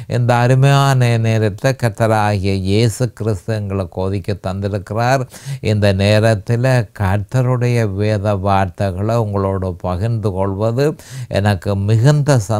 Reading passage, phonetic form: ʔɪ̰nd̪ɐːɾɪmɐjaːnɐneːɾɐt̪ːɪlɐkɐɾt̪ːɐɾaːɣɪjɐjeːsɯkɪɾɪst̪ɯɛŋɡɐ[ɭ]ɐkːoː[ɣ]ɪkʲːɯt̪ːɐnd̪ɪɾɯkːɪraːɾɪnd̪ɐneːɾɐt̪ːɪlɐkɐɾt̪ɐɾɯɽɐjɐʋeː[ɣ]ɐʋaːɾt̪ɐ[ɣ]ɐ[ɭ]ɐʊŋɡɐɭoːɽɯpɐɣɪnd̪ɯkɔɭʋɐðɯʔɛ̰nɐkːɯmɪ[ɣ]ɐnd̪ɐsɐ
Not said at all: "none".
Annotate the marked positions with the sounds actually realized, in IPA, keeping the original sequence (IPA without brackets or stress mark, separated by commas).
ɭ, ð, ð, ɣ, ɭ, ɣ